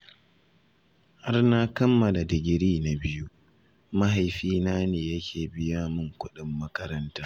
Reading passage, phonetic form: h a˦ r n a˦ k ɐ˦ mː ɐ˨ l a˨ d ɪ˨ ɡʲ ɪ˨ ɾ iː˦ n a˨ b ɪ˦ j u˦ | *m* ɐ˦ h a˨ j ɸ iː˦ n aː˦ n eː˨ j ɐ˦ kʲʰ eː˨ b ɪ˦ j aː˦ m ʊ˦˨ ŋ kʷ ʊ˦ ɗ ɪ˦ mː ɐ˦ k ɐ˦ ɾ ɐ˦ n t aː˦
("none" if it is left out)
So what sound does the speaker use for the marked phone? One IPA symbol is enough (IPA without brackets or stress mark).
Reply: m